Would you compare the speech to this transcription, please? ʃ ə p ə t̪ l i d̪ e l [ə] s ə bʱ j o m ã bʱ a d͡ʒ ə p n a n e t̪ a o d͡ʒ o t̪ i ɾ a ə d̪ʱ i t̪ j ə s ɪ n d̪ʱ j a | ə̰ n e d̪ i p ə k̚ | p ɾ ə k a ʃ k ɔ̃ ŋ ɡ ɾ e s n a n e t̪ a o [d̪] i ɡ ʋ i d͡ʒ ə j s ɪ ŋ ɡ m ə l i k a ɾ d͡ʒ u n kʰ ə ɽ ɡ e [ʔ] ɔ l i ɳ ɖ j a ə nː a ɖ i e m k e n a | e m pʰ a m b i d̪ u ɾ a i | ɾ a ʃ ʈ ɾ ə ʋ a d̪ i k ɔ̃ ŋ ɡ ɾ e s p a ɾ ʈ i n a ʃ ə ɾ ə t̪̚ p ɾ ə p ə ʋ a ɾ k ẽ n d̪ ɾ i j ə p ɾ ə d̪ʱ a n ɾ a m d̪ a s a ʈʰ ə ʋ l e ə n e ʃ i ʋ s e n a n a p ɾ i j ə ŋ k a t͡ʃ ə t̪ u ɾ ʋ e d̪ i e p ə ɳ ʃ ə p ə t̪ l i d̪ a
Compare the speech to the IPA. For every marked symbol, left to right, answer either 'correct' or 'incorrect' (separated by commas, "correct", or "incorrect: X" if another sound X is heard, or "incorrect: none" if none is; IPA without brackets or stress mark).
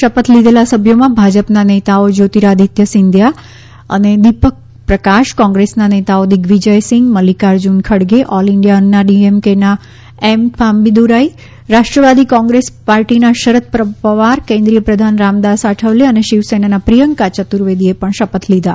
incorrect: a, correct, correct